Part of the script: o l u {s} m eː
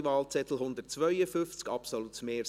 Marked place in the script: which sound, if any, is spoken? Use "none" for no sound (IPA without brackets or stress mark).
t